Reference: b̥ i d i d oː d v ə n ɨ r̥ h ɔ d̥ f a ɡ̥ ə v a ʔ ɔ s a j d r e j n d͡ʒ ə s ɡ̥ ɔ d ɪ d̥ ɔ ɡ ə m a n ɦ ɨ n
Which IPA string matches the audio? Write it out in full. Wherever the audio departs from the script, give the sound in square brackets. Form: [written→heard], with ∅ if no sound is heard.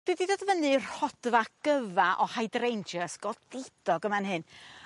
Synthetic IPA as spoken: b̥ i d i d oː d v ə n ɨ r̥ h ɔ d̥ [f→v] a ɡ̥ ə v a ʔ ɔ [s→h] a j d r e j n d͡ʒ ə s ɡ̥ ɔ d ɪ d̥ ɔ ɡ ə m a n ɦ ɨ n